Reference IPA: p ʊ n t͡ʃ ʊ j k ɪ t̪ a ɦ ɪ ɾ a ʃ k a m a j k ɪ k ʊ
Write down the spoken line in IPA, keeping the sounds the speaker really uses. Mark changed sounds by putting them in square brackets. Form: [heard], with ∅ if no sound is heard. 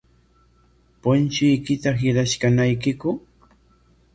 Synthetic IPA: p ʊ n t͡ʃ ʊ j k ɪ t̪ a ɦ ɪ ɾ a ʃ k a [n] a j k ɪ k ʊ